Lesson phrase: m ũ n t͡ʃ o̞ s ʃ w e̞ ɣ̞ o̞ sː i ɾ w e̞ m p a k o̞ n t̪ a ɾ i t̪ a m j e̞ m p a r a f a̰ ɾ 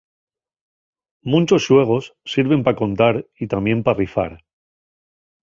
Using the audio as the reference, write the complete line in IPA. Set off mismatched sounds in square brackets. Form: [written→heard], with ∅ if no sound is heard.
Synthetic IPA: m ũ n t͡ʃ o̞ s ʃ w e̞ ɣ̞ o̞ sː i ɾ [w→β] e̞ m p a k o̞ n t̪ a ɾ i t̪ a m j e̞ m p a r [a→i] f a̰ ɾ